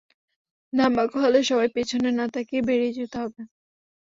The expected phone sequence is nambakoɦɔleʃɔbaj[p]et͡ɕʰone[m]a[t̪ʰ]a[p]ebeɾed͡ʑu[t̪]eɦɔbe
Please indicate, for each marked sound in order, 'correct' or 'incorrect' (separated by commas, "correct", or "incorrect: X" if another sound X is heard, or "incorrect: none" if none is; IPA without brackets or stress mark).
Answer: correct, incorrect: n, incorrect: t̪, incorrect: k, correct